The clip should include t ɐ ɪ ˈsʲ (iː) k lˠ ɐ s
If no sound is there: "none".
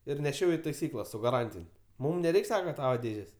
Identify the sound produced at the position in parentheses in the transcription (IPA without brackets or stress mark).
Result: iː